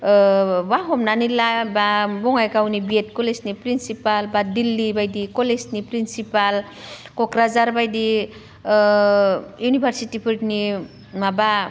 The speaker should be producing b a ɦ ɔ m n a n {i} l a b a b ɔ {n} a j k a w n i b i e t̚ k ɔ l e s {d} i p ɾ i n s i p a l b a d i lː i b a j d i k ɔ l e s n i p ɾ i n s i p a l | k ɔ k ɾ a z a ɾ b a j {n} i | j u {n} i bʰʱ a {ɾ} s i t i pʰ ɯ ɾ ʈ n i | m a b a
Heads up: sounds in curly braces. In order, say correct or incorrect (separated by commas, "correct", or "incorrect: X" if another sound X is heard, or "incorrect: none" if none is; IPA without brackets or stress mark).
correct, incorrect: ŋ, incorrect: n, incorrect: d, correct, correct